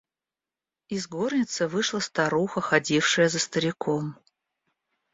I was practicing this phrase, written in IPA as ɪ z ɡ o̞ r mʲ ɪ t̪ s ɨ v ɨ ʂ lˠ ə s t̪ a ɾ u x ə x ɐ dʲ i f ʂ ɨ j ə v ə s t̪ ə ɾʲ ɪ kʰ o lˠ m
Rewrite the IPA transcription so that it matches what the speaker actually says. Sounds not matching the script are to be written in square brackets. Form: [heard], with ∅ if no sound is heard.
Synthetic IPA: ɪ z ɡ o̞ r [nʲ] ɪ t̪ s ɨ v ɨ ʂ lˠ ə s t̪ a ɾ u x ə x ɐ dʲ i f ʂ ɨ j ə [z] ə s t̪ ə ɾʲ ɪ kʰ o [∅] m